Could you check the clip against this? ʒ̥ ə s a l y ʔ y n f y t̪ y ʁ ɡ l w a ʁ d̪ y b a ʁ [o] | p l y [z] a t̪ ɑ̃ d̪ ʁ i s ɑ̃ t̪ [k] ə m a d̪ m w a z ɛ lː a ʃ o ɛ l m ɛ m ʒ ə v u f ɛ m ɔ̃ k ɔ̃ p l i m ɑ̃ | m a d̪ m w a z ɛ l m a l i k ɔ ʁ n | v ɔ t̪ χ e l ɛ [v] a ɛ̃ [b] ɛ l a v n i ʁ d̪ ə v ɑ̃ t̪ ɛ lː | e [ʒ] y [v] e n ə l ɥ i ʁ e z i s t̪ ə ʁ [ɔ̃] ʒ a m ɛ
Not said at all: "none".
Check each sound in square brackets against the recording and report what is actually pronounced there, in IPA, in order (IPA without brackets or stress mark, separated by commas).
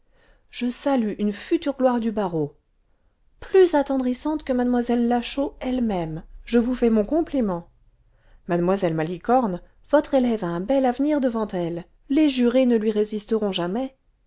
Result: o, z, k, v, b, ʒ, ʁ, ɔ̃